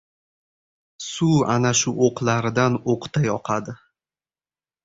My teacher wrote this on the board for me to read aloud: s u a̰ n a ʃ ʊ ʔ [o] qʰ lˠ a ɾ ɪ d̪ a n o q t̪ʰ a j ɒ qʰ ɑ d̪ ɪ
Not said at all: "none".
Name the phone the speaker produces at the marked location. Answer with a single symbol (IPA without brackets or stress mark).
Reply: o